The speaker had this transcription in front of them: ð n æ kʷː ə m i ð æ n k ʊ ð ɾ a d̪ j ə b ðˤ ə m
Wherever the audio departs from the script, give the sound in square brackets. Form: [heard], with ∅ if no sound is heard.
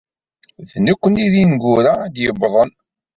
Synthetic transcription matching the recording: ð n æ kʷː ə [n] i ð [i] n [ɡ] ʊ [∅] ɾ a d̪ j ə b ðˤ ə [n]